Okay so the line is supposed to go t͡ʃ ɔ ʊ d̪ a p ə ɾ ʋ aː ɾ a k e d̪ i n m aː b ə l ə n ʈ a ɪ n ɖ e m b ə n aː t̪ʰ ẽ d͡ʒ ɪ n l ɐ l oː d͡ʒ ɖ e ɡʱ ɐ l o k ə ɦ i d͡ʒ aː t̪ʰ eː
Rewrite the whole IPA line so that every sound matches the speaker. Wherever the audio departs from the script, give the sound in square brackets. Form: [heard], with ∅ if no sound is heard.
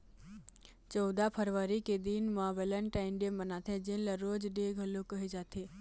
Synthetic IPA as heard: t͡ʃ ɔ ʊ d̪ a [pʰ] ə ɾ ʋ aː ɾ [i] k e d̪ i n m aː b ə l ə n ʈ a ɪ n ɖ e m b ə n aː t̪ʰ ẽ d͡ʒ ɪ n l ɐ [ɾ] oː d͡ʒ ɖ e ɡʱ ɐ l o k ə ɦ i d͡ʒ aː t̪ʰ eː